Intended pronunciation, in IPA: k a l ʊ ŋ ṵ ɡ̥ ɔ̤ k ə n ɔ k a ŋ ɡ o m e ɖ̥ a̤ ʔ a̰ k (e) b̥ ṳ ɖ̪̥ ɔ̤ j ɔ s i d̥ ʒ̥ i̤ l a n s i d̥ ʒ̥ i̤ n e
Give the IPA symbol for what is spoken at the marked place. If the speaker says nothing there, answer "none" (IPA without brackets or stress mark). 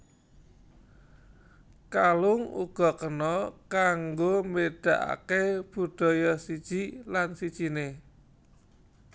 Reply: e